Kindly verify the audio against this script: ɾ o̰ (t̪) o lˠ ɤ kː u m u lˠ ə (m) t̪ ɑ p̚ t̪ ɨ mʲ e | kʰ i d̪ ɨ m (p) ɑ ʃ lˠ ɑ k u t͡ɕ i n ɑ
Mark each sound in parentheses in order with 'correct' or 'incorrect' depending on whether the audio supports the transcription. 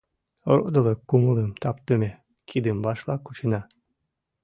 incorrect: d̪, correct, incorrect: b

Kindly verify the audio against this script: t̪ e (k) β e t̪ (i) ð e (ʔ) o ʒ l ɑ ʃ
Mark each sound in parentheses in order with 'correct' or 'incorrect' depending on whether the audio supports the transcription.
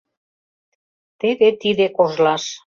incorrect: none, correct, incorrect: k

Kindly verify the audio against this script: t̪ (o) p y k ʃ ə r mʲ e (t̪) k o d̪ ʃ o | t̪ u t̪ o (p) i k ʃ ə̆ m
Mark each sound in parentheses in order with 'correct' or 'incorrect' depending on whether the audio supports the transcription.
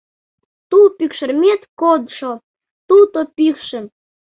incorrect: u, correct, correct

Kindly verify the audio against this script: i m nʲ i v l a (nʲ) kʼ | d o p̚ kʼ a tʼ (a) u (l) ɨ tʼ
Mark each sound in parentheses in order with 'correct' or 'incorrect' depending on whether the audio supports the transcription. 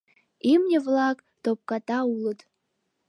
incorrect: none, correct, correct

